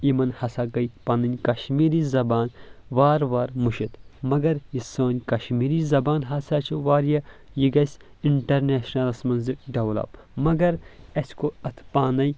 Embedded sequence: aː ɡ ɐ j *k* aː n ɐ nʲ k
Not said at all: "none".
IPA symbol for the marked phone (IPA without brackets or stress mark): p